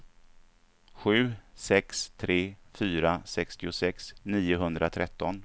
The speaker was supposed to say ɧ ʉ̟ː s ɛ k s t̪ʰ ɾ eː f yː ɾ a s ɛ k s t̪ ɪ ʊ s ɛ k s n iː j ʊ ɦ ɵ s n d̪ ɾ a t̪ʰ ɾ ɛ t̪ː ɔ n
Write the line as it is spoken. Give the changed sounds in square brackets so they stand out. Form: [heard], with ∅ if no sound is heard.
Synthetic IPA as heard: ɧ ʉ̟ː s ɛ k s t̪ʰ ɾ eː f yː ɾ a s ɛ k s t̪ ɪ ʊ s ɛ k s n iː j ʊ ɦ ɵ [∅] n d̪ ɾ a t̪ʰ ɾ ɛ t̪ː ɔ n